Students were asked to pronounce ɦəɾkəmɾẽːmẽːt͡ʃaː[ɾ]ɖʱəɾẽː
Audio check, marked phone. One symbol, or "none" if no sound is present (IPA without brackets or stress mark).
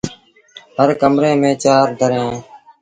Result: ɾ